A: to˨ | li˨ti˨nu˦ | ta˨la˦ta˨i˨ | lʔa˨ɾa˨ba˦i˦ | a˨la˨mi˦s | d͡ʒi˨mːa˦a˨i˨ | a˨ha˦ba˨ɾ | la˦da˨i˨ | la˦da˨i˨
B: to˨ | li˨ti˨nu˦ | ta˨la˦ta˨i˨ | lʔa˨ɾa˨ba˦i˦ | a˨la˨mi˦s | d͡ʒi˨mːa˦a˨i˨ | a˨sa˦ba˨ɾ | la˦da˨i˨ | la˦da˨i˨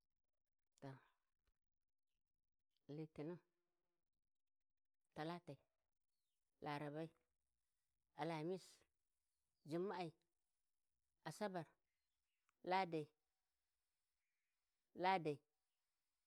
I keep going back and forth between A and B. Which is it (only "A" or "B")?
B